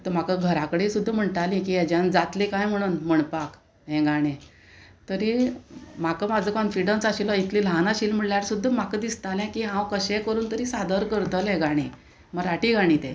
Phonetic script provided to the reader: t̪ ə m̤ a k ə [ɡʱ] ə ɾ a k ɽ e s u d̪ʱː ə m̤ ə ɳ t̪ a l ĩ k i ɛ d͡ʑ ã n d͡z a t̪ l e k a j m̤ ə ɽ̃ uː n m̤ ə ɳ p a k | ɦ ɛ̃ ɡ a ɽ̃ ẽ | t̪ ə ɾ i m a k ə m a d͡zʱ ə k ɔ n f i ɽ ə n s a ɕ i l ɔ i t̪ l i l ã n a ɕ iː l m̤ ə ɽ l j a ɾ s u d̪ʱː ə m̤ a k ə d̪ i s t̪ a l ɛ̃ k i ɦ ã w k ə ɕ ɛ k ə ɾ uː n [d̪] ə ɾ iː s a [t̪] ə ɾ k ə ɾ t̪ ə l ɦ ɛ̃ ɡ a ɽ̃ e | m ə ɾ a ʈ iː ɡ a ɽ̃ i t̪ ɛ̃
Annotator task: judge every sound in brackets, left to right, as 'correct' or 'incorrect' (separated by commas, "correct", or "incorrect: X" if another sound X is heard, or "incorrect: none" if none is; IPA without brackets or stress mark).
correct, incorrect: t̪, incorrect: d̪